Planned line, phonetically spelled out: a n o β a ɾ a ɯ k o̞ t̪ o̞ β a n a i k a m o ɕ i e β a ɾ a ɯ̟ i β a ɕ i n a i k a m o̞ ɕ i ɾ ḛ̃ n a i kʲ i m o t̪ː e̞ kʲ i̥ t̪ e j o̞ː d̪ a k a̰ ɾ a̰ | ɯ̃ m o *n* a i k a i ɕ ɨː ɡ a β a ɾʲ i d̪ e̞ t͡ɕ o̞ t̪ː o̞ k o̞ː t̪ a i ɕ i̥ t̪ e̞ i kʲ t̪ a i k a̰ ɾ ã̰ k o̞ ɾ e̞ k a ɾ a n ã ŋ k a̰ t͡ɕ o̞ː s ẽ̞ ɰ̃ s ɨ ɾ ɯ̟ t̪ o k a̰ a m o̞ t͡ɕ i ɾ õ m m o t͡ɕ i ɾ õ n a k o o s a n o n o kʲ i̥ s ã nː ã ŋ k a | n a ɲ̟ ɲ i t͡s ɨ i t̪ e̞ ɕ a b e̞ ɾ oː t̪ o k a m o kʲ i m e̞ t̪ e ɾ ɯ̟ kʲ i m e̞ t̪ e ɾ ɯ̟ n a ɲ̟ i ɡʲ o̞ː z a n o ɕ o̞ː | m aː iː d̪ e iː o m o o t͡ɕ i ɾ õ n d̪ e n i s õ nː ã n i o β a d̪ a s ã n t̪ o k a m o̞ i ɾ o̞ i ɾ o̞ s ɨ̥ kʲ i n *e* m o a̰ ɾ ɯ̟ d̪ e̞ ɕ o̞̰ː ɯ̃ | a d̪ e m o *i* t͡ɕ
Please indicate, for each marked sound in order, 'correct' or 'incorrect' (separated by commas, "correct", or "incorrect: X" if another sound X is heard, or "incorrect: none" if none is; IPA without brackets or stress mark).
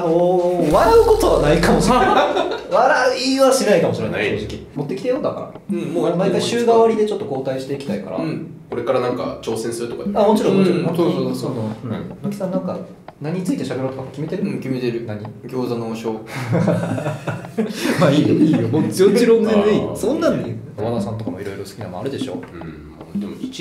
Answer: incorrect: m, incorrect: a, correct